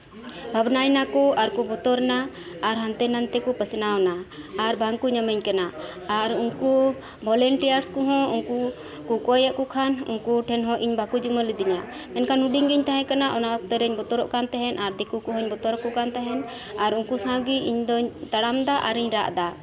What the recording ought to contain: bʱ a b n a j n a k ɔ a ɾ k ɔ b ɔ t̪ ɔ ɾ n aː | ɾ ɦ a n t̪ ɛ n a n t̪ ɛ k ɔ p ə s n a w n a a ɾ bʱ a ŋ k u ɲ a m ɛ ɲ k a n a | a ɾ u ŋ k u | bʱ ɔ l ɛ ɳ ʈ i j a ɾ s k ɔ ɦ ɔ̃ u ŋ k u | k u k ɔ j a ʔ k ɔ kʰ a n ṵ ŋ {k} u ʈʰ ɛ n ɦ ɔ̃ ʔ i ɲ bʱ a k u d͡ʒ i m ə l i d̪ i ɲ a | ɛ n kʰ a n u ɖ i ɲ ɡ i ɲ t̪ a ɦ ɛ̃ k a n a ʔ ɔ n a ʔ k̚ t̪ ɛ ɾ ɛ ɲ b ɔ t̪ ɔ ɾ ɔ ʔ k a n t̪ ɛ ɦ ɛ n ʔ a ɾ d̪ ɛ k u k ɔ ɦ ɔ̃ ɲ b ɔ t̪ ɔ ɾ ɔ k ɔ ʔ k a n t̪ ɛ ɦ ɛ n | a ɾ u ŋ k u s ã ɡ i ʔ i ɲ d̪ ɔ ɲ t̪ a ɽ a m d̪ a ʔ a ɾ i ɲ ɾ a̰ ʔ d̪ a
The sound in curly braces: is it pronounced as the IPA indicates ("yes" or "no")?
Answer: yes